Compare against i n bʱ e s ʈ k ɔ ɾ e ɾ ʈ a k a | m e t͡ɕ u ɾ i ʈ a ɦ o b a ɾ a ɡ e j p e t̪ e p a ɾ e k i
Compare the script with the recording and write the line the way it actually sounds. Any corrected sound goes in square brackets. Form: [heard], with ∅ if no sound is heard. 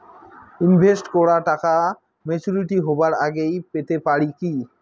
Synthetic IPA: i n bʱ e s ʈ k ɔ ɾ [a] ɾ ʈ a k a | m e t͡ɕ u ɾ i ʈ [i] ɦ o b a ɾ a ɡ e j p e t̪ e p a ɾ [i] k i